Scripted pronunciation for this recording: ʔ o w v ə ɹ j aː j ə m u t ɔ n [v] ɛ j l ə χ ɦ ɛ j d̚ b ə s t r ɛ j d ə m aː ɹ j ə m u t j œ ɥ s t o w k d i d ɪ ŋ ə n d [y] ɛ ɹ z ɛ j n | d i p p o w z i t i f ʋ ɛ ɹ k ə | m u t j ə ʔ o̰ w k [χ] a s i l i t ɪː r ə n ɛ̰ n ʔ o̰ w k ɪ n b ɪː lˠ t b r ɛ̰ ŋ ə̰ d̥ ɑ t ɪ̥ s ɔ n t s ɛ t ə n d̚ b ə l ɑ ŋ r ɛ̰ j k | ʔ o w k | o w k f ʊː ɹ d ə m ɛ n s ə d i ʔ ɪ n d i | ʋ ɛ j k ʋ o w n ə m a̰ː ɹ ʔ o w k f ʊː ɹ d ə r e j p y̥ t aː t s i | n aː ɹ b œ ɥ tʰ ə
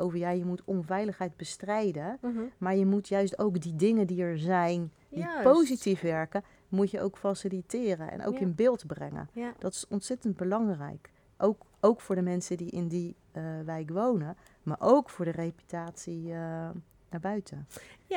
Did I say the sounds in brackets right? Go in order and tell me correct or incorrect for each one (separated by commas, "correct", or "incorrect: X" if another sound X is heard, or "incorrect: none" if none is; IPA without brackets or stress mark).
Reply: correct, incorrect: i, incorrect: f